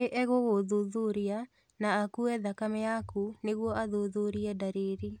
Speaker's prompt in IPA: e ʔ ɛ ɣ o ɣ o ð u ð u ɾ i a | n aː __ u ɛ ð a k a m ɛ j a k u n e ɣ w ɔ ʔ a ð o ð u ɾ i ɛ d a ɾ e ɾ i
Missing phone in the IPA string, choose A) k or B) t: A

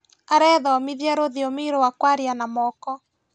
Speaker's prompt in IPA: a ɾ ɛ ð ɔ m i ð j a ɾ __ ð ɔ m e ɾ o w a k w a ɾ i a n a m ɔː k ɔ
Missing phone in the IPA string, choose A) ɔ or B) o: B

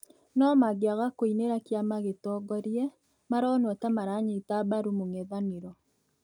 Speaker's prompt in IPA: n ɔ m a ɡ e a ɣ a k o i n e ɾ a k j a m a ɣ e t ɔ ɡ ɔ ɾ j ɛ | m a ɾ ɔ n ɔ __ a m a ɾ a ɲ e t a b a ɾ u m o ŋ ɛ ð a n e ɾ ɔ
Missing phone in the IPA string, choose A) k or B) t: B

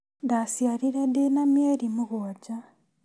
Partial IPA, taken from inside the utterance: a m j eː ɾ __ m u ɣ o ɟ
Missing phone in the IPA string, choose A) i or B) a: A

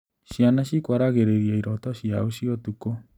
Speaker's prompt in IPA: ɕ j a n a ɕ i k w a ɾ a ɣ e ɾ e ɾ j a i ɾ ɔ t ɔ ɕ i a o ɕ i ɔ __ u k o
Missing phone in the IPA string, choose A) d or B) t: B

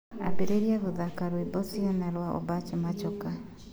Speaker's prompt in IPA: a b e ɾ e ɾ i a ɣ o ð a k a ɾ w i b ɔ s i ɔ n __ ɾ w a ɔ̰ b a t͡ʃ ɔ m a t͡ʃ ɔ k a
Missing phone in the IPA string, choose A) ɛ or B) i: A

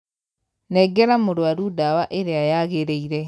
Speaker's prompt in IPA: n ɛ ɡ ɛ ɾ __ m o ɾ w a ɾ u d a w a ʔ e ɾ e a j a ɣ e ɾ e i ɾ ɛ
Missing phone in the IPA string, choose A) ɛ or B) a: B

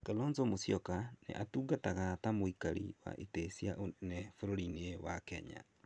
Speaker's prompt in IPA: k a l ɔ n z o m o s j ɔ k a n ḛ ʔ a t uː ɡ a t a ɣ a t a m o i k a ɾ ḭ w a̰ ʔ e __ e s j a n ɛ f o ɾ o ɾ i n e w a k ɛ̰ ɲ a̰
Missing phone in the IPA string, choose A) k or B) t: B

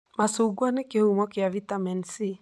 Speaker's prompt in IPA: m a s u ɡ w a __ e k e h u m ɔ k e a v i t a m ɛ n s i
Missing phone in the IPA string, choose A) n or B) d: A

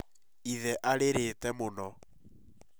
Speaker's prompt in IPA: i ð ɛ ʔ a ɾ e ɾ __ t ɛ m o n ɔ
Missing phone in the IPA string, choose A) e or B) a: A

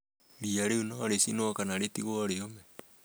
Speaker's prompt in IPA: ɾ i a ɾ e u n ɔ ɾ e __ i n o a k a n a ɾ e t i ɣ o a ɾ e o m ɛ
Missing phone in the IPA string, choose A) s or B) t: A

